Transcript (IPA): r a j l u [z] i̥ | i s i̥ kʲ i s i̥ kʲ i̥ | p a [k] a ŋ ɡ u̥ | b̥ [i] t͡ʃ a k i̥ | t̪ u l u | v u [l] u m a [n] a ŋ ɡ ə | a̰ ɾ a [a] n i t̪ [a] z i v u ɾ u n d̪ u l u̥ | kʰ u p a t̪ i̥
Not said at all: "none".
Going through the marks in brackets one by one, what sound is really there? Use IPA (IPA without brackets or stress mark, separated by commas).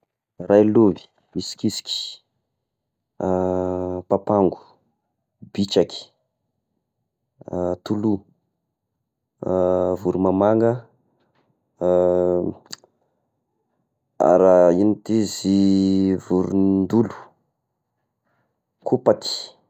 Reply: v, p, i, ɾ, m, i, i